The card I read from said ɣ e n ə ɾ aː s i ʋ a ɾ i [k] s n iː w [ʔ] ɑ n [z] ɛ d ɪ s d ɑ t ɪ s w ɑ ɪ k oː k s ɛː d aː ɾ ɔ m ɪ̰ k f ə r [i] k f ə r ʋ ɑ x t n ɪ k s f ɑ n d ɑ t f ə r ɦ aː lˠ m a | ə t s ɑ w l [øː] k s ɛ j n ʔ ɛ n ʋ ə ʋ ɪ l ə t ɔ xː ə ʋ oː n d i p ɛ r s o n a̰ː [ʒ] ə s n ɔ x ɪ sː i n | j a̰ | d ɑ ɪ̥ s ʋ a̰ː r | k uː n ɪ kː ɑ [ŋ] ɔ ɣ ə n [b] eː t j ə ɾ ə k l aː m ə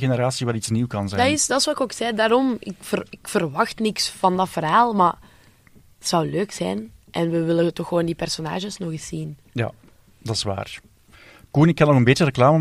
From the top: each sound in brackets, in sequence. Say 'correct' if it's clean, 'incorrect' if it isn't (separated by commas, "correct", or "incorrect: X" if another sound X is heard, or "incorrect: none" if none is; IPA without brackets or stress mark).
incorrect: t, incorrect: k, correct, incorrect: ɪ, correct, correct, incorrect: n, correct